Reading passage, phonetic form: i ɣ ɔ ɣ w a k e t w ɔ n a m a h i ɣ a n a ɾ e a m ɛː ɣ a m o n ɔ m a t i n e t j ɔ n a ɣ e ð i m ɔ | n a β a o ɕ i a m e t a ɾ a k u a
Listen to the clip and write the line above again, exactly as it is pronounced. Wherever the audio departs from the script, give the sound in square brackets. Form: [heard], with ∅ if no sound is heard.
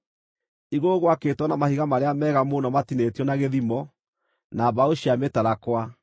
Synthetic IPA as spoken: i ɣ [o] ɣ w a k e t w ɔ n a m a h i ɣ a [m] a ɾ e a m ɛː ɣ a m o n ɔ m a t i n e t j ɔ n a ɣ e ð i m ɔ | n a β a o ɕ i a m e t a ɾ a k [w] a